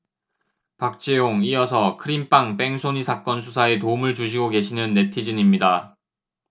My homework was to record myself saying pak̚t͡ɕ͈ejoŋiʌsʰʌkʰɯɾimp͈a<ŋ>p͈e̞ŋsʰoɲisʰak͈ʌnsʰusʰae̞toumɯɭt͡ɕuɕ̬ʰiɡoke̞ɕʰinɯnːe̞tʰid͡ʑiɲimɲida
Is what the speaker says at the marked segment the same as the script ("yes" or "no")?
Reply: yes